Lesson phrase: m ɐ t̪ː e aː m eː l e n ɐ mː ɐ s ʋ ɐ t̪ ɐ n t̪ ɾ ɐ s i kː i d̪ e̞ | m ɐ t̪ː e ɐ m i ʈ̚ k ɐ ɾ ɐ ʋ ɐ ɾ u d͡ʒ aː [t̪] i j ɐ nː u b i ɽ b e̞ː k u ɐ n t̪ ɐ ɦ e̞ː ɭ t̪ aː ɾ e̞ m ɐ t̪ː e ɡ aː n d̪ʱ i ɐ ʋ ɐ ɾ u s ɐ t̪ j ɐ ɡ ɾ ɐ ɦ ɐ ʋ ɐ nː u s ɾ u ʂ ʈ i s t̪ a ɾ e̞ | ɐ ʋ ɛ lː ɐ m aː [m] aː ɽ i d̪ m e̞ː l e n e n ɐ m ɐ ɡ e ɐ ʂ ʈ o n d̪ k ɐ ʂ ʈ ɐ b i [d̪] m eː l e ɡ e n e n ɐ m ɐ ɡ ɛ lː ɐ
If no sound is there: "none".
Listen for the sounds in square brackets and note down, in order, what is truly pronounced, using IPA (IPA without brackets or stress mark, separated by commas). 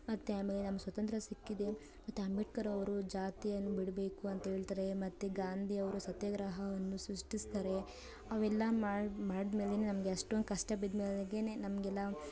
t̪, m, d̪